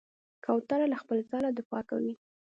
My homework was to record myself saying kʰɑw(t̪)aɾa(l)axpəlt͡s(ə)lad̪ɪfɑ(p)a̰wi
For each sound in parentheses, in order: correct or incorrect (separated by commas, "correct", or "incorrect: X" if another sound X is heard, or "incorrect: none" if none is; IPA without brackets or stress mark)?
correct, correct, incorrect: ɑ, incorrect: k